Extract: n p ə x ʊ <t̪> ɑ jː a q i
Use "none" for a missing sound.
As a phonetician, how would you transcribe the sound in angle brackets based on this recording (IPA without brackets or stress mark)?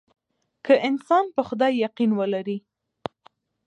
d̪